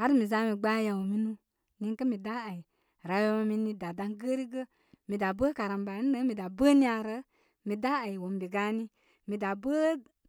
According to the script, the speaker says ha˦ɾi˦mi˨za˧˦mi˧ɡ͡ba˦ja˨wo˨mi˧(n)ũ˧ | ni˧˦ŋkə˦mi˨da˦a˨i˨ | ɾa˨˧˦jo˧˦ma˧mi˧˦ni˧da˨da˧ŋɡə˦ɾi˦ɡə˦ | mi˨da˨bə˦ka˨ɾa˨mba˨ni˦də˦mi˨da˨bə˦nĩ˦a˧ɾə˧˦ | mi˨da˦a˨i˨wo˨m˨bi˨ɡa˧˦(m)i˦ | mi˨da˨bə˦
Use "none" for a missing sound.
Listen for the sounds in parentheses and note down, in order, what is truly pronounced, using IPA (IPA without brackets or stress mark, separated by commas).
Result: n, n